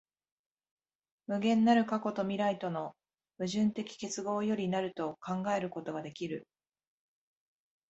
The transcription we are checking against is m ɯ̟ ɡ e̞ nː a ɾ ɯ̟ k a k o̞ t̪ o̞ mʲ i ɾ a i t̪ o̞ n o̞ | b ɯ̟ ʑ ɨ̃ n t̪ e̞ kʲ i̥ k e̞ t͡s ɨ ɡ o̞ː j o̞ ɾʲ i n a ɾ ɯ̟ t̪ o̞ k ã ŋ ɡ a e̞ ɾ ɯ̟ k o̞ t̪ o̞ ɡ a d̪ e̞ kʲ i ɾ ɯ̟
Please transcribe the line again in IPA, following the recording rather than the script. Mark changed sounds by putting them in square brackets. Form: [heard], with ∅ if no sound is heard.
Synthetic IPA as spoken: m ɯ̟ ɡ [ẽ̞] nː a ɾ ɯ̟ k a k o̞ t̪ o̞ mʲ i ɾ a i t̪ o̞ n o̞ | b ɯ̟ ʑ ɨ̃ n t̪ e̞ kʲ i̥ k e̞ t͡s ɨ ɡ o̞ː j o̞ ɾʲ i n a ɾ ɯ̟ t̪ o̞ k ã ŋ ɡ a e̞ ɾ ɯ̟ k o̞ t̪ o̞ ɡ a d̪ e̞ kʲ i ɾ ɯ̟